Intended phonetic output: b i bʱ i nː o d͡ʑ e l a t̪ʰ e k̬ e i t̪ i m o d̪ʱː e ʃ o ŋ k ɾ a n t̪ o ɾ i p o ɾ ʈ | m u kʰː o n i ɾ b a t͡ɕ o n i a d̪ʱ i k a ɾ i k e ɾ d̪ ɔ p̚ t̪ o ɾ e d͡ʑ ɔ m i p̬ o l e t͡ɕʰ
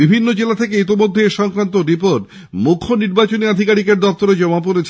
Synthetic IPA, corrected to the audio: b i bʱ i nː o d͡ʑ e l a t̪ʰ e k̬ e i t̪ i m o d̪ʱː e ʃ ɔ ŋ k ɾ a n t̪ o ɾ i p o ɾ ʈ | m u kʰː o n i ɾ b a t͡ɕ o n i a d̪ʱ i k a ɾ i k e ɾ d̪ ɔ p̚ t̪ o ɾ e d͡ʑ ɔ m a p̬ o ɾ e t͡ɕʰ